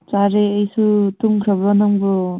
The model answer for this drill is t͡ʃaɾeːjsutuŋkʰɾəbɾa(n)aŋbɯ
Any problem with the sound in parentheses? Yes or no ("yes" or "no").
no